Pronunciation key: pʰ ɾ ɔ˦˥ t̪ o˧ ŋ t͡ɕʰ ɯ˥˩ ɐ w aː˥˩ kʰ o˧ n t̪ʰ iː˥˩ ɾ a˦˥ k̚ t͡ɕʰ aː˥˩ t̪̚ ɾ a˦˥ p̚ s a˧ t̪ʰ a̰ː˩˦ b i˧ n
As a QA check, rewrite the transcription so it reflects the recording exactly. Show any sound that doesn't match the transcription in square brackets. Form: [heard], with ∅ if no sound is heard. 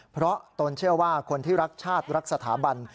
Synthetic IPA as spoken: pʰ ɾ ɔ˦˥ t̪ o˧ [n] t͡ɕʰ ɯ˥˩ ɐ w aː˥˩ kʰ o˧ n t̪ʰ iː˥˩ ɾ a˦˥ k̚ t͡ɕʰ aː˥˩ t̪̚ ɾ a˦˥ [k̚] s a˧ t̪ʰ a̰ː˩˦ b [a˧] n